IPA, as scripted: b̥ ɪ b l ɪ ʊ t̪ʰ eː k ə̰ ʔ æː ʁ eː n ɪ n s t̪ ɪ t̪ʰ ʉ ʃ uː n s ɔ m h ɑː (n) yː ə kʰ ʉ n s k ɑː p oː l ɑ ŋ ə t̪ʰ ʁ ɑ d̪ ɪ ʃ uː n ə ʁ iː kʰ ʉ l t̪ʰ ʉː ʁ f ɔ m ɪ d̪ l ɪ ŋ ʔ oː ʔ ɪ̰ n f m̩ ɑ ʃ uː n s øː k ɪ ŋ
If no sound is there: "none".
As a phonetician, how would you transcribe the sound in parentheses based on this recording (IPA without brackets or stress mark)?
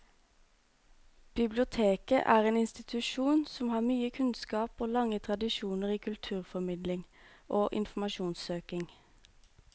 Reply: m